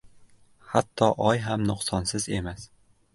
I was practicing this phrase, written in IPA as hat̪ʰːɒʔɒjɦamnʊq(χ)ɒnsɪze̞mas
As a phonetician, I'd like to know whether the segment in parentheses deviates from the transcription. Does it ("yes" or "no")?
yes